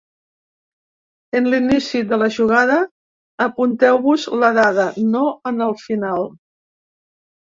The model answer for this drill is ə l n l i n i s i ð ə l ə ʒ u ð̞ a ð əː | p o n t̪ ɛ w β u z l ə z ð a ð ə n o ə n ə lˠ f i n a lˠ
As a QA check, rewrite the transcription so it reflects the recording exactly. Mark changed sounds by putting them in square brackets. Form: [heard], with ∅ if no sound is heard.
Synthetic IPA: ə [∅] n l i n i s i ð ə l ə ʒ u [ɣ̞] a ð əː | p [u] n t̪ ɛ w β u z l ə [∅] ð a ð ə n o ə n ə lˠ f i n a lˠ